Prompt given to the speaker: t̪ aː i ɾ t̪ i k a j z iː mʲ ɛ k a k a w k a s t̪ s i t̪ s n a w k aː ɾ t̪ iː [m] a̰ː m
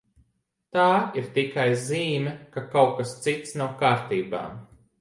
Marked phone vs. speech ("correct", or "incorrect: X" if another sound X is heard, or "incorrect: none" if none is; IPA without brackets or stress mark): incorrect: b